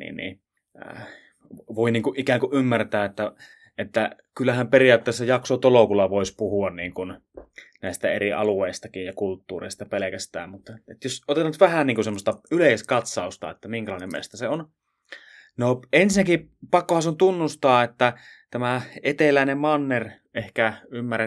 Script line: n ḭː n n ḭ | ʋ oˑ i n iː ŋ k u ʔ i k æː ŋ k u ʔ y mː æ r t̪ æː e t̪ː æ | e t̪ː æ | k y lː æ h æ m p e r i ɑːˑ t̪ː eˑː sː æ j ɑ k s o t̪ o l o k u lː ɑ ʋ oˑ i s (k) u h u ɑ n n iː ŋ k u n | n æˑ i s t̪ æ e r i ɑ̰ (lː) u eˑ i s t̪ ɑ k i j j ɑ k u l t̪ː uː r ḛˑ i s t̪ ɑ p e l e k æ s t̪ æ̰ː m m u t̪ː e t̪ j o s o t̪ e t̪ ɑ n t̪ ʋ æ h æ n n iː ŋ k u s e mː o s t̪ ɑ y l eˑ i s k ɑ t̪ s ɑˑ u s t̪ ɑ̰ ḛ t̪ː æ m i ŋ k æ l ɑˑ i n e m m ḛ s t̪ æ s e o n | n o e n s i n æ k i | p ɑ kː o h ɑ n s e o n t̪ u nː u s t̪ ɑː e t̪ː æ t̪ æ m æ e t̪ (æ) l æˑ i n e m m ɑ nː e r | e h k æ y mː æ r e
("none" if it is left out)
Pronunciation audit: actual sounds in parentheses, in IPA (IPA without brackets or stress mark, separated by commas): p, l, e